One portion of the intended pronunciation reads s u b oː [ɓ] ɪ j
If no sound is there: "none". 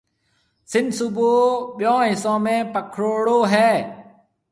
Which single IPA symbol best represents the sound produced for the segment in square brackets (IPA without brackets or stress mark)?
ɓ